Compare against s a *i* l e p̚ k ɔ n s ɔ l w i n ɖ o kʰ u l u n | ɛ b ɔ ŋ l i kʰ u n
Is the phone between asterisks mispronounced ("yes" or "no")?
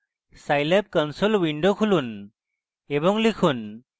yes